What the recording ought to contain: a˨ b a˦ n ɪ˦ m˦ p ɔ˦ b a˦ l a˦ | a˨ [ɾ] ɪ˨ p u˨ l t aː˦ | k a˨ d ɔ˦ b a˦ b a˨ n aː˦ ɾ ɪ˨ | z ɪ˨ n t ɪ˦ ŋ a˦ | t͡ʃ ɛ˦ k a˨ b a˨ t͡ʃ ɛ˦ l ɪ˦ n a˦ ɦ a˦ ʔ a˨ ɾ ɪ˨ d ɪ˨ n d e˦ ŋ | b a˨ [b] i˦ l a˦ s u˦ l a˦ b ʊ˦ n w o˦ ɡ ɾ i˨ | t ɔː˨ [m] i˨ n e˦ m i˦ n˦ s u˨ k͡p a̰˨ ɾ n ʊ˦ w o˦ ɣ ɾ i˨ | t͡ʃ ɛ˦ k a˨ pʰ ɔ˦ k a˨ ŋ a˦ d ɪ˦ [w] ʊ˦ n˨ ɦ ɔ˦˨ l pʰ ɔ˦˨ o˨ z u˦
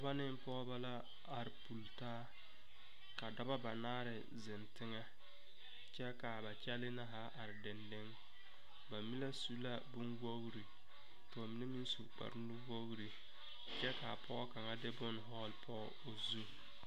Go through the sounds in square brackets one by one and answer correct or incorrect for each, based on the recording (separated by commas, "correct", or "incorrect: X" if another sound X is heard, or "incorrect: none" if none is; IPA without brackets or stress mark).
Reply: correct, incorrect: m, correct, incorrect: b